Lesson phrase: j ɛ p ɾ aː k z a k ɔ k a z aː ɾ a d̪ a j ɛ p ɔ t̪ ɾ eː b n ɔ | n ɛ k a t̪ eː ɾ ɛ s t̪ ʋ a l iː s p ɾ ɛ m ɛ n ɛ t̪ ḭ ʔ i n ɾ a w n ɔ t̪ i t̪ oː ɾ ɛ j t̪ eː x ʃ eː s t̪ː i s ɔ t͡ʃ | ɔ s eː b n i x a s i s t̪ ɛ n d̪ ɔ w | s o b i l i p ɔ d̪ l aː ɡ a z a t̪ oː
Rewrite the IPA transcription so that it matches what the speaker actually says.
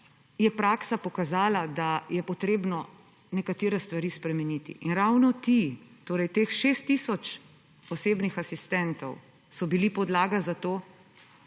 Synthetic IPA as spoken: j ɛ p ɾ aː k s a p ɔ k a z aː l a d̪ a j ɛ p ɔ t̪ ɾ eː b n ɔ | n ɛ k a t̪ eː ɾ ɛ s t̪ ʋ a ɾ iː s p ɾ ɛ m ɛ n i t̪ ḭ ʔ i n ɾ a w n ɔ t̪ i t̪ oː ɾ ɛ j t̪ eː x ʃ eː s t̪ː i s ɔ t͡ʃ | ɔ s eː b n i x a s i s t̪ ɛ n t̪ ɔ w | s ɔ b i l i p ɔ d̪ l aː ɡ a z a t̪ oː